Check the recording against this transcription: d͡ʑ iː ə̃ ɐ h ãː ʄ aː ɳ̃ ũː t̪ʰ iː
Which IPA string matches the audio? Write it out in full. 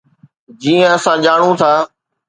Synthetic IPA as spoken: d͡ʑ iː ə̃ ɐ s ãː ʄ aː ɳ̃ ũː t̪ʰ aː